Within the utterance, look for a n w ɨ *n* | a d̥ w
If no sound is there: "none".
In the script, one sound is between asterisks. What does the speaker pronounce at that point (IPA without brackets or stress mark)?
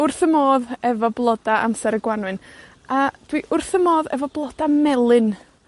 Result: n